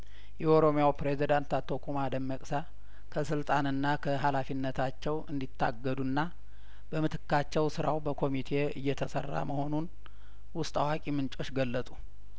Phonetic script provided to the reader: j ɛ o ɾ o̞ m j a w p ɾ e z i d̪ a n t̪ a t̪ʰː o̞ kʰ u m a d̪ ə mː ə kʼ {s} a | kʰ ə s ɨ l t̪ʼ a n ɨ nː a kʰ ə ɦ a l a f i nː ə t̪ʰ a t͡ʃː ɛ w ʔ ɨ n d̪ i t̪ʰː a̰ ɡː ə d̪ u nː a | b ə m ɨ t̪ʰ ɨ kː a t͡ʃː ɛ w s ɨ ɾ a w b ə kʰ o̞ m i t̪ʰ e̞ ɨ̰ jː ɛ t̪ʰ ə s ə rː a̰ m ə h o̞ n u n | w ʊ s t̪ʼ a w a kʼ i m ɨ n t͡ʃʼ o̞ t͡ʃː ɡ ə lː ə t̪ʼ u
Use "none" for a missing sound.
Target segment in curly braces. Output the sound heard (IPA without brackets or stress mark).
s